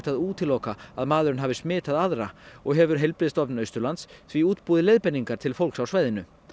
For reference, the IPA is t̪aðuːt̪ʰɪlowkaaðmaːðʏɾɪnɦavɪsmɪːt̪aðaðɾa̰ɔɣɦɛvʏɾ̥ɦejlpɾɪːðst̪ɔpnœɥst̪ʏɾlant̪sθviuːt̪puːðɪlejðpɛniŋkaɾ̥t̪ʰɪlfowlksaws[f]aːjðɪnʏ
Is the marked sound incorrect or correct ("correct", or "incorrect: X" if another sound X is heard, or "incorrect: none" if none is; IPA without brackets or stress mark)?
incorrect: v